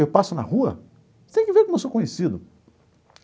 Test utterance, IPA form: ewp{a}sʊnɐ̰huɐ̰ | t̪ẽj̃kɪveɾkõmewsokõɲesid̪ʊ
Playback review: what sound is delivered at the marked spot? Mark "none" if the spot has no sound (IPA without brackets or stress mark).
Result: a